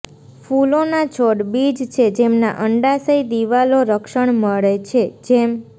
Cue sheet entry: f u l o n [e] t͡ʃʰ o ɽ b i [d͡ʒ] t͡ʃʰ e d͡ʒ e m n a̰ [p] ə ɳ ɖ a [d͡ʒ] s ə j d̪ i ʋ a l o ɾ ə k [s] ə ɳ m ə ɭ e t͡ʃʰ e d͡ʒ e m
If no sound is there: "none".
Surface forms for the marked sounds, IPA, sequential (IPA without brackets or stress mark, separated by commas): a, d͡ʒ, ʔ, none, ʃ